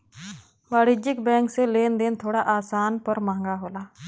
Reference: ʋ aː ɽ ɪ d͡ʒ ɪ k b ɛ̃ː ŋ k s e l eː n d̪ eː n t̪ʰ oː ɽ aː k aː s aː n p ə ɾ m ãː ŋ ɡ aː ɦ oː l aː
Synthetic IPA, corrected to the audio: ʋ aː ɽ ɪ d͡ʒ ɪ k b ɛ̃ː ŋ k s e l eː n d̪ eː n t̪ʰ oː ɽ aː ʔ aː s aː n p ə ɾ m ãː ŋ ɡ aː ɦ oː l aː

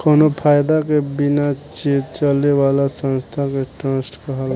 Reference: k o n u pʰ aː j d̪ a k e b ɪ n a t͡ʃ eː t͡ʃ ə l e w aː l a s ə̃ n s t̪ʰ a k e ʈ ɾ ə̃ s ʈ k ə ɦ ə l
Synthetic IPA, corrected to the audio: k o n o pʰ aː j d̪ a k e b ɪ n a t͡ʃ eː t͡ʃ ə l e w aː l a s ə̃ n s t̪ʰ a k e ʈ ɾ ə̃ s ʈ k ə ɦ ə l

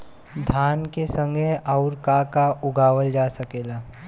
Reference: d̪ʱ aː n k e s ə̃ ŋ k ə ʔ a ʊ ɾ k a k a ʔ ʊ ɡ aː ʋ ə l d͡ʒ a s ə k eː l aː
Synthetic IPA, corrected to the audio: d̪ʱ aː n k e s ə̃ ŋ ɡ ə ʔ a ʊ ɾ k a k a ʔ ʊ ɡ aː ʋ ə l d͡ʒ a s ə k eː l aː

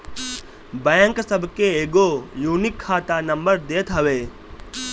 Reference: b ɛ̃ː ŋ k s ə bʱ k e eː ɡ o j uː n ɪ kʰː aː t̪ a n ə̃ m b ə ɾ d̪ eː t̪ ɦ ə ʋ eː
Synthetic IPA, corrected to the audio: b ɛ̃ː ŋ k s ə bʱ k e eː ɡ o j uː n ɪ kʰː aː t̪ a n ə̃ m b ə ɾ d̪ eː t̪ ɦ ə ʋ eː

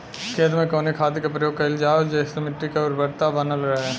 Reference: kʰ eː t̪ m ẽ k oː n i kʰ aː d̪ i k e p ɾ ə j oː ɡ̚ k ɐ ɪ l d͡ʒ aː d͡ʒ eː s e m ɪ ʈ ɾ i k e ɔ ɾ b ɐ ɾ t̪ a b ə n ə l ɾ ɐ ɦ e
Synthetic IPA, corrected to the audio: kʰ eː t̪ m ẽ k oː n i kʰ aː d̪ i k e p ɾ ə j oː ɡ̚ k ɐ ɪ l d͡ʒ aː d͡ʒ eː s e m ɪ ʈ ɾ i k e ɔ ɾ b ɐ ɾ t̪ a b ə n ə l ɾ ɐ ɦ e

